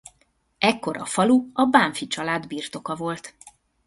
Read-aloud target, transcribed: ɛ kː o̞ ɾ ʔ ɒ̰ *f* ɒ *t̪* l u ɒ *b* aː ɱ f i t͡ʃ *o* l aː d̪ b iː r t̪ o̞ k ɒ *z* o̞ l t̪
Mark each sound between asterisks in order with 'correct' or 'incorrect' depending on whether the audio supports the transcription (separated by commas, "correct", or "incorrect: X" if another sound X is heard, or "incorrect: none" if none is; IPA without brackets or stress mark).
correct, incorrect: none, correct, incorrect: ɒ, incorrect: v